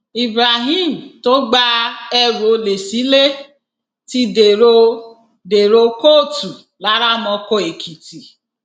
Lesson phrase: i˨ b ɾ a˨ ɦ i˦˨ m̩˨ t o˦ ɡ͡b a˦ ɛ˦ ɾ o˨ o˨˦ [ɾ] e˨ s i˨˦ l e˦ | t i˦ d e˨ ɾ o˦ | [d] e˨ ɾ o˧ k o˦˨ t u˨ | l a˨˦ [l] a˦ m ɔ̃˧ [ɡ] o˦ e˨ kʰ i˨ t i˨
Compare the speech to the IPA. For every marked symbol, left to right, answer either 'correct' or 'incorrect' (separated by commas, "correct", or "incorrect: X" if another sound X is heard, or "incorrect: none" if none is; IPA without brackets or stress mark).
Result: incorrect: l, correct, incorrect: ɾ, incorrect: k